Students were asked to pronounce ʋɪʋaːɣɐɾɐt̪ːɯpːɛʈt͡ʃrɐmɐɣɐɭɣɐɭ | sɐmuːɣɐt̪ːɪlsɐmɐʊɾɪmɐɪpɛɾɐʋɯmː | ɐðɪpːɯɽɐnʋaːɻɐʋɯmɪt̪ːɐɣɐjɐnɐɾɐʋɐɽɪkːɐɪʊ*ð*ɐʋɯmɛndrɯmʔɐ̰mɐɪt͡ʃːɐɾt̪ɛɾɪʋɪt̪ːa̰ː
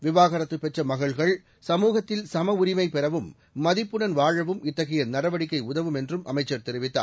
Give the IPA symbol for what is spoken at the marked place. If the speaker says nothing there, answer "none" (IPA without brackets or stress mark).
ð